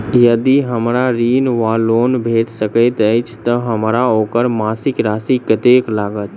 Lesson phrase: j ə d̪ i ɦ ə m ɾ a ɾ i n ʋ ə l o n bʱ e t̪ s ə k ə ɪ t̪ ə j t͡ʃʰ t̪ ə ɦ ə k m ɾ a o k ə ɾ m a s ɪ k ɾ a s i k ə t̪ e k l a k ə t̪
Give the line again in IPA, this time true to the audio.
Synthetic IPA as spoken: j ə d̪ i ɦ ə m ɾ a ɾ i n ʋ a l o n bʱ e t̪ s ə k ə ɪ t̪ ə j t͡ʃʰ t̪ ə ɦ ə m ɾ a o k ə ɾ m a s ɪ k ɾ a s i k ə t̪ e k l a ɡ ə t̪